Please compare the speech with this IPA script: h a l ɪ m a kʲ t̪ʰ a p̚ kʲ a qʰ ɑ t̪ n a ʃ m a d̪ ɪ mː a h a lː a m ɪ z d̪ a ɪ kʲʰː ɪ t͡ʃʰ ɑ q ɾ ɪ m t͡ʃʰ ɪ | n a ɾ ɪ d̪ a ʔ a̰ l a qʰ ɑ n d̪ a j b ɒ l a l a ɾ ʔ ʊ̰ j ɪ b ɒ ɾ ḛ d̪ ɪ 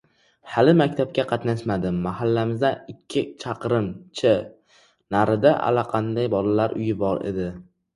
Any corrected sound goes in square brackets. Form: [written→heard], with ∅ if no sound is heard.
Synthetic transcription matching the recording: h a l ɪ m a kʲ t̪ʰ a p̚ kʲ a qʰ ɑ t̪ n a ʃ m a d̪ ɪ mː a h a lː a m ɪ z d̪ a ɪ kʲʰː ɪ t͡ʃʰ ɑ q ɾ ɪ m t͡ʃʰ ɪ | n a ɾ ɪ d̪ a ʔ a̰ l a qʰ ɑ n d̪ a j b ɒ l a l a ɾ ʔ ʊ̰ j ɪ b ɒ ɾ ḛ d̪ ɪ